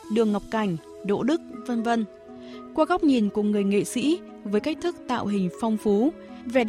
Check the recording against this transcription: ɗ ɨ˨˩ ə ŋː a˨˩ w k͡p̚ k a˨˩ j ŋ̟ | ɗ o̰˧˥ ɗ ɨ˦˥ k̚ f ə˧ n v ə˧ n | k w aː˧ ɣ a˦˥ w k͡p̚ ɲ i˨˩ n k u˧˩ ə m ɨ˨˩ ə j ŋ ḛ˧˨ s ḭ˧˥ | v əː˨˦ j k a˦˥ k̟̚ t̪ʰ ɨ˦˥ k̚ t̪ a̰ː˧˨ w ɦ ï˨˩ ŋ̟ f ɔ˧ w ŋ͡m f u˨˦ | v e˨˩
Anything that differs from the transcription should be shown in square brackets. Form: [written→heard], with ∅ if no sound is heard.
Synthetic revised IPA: ɗ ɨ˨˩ ə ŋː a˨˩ w k͡p̚ k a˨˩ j ŋ̟ | ɗ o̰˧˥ ɗ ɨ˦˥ k̚ [f→v] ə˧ n v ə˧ n | k w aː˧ ɣ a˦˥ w k͡p̚ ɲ i˨˩ n k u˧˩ ə [m→ŋ] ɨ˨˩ ə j ŋ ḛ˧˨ s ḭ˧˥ | v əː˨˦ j k a˦˥ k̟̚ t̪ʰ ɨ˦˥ k̚ t̪ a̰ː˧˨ w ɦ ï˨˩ ŋ̟ f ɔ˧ w ŋ͡m f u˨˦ | v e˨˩